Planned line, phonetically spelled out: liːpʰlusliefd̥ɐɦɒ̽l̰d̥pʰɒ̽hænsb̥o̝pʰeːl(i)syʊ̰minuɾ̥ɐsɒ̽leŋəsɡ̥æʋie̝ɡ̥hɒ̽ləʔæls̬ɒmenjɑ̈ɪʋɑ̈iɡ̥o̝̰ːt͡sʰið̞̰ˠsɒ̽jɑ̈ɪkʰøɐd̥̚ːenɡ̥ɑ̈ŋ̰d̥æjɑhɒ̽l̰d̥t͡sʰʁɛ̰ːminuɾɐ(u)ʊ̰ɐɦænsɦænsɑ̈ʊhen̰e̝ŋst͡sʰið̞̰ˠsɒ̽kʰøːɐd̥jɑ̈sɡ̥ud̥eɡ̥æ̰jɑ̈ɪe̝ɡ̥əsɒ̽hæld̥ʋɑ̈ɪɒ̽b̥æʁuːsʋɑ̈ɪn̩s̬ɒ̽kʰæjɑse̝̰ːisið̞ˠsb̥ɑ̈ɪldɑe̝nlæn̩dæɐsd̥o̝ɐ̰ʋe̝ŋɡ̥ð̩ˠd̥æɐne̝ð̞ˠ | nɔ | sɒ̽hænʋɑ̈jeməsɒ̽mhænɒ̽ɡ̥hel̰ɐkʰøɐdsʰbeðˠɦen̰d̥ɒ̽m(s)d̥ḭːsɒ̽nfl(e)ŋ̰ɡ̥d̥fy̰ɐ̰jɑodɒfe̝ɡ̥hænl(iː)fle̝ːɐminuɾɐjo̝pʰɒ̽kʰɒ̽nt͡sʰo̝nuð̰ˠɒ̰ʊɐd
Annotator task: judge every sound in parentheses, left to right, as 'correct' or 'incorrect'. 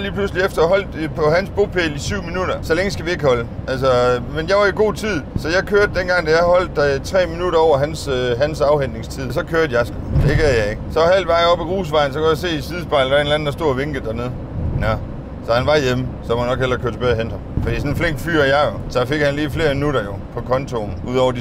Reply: correct, incorrect: ɒ, incorrect: f, correct, correct

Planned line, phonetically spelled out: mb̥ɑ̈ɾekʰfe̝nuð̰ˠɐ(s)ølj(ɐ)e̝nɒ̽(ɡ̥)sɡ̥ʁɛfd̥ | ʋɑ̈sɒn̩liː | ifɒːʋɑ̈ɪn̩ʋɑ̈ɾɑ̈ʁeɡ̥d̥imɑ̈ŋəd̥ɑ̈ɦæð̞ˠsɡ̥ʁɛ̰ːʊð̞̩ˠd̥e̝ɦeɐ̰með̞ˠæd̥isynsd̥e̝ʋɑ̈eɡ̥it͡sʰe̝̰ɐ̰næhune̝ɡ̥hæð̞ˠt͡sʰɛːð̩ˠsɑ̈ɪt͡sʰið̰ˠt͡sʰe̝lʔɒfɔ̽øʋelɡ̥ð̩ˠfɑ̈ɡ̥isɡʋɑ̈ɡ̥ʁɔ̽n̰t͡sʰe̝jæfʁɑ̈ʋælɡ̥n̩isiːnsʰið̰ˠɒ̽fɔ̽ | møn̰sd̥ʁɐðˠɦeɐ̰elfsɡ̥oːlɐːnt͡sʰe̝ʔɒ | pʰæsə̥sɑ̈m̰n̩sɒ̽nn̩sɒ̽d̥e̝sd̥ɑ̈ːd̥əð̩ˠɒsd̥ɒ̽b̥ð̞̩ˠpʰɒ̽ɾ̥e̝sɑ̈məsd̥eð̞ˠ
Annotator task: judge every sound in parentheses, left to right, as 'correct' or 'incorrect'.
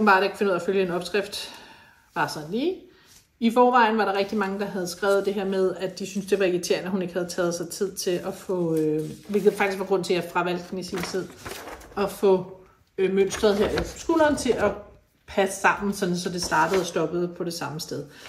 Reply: incorrect: f, incorrect: ə, incorrect: b̥

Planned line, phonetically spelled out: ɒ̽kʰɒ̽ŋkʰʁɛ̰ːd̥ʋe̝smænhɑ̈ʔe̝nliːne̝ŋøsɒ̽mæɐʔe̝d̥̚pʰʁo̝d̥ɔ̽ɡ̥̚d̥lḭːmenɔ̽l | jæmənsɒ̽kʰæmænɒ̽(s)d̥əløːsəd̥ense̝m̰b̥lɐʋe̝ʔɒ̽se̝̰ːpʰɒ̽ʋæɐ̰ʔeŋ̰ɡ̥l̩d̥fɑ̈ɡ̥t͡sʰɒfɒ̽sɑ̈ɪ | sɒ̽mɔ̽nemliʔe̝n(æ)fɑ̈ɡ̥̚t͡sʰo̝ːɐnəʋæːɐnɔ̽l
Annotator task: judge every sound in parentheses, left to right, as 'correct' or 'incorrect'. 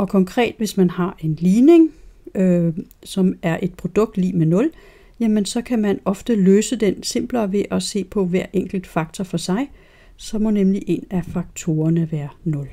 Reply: incorrect: f, correct

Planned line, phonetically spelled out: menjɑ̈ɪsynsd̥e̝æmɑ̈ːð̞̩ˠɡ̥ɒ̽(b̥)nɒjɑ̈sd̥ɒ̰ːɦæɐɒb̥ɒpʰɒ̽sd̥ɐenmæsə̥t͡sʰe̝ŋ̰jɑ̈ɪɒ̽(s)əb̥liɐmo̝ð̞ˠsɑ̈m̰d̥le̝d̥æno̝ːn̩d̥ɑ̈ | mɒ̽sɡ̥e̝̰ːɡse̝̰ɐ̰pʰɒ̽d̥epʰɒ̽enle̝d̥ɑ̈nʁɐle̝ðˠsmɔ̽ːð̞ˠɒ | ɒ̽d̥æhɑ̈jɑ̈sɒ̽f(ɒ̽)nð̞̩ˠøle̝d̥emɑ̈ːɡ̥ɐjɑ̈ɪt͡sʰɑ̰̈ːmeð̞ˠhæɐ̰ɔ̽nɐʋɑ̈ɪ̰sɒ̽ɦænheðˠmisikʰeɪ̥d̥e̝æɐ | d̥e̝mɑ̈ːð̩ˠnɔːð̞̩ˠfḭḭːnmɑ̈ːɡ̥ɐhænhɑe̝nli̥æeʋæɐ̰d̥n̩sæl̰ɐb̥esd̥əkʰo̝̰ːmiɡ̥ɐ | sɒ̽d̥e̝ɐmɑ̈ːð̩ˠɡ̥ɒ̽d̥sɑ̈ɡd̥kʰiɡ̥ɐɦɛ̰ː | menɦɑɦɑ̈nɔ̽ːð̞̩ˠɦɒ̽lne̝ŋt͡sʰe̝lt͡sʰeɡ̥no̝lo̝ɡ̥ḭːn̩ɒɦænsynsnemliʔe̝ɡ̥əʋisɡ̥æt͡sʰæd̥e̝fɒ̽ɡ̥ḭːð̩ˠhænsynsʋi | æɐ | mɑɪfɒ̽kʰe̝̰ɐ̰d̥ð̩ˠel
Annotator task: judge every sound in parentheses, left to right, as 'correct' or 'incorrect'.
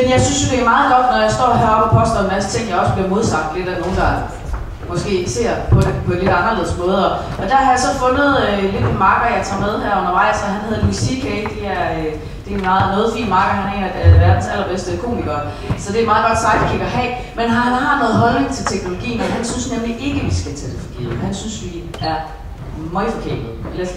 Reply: incorrect: d̥, correct, incorrect: ɔ̽

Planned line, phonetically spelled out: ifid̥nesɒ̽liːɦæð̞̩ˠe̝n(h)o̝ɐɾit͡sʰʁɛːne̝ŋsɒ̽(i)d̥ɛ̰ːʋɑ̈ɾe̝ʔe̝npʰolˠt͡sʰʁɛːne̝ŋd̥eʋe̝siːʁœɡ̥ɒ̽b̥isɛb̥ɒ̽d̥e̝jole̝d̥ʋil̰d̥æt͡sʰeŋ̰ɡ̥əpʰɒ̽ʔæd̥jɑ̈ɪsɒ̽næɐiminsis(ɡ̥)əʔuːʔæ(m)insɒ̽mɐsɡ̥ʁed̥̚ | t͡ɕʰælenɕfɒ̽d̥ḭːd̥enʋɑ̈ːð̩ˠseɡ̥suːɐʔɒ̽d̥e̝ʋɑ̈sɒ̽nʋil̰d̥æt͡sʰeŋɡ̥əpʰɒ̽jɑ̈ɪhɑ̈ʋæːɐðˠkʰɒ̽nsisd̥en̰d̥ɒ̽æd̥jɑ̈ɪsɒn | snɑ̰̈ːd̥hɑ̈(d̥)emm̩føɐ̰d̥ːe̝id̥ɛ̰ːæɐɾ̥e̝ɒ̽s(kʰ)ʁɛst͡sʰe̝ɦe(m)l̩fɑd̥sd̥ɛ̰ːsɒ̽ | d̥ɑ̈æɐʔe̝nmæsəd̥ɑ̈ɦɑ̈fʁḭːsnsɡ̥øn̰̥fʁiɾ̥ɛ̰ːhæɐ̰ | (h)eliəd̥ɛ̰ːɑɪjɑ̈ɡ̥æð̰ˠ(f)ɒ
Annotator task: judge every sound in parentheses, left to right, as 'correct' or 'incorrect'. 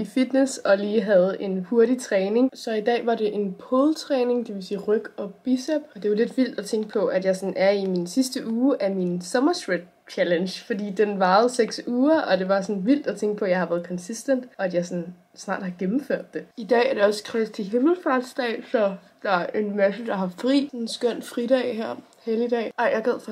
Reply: correct, correct, incorrect: d̥, correct, incorrect: ɡ̥, correct, correct, correct, correct

